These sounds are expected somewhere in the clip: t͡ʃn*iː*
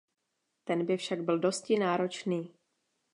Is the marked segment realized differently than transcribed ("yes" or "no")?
no